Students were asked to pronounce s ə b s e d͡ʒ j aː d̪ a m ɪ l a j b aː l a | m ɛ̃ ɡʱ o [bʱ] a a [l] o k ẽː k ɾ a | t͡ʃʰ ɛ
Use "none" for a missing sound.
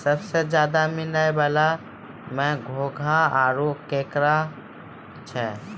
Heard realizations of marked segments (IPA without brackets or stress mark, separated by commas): ɡʱ, ɾ